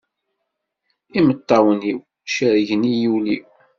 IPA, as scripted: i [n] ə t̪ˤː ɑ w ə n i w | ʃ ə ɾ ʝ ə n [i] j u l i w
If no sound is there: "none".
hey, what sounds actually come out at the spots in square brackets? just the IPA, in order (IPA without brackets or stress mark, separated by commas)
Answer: m, i